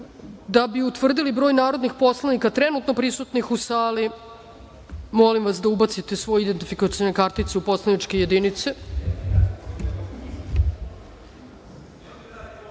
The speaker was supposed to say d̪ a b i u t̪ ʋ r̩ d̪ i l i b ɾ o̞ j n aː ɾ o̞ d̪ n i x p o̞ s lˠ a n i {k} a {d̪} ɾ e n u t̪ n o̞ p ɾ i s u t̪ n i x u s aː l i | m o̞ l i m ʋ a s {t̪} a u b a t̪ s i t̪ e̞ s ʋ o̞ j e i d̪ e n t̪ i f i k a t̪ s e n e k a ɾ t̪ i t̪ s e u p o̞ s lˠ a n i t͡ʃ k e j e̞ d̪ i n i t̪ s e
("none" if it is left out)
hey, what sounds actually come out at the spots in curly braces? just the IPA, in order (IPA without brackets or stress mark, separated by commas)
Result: k, t̪, d̪